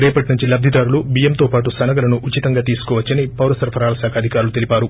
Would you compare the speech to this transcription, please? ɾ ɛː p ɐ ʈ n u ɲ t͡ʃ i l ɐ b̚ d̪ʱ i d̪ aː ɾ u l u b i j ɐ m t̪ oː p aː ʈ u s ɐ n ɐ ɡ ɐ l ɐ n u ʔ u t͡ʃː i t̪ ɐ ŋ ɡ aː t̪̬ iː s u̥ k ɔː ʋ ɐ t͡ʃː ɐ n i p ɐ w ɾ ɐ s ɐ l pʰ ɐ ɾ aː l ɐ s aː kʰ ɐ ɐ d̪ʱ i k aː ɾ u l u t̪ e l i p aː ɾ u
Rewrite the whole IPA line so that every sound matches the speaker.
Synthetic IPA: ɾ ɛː p ɐ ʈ n u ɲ t͡ʃ i l ɐ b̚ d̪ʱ i d̪ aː ɾ u l u b i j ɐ m t̪ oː p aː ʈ u s ɐ n ɐ ɡ ɐ l ɐ n u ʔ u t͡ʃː i t̪ ɐ ŋ ɡ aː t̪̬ iː s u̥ k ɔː ʋ ɐ t͡ʃː ɐ n i p ɐ w ɾ ɐ s ɐ ɾ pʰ ɐ ɾ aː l ɐ s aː kʰ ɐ ɐ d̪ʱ i k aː ɾ u l u t̪ e l i p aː ɾ u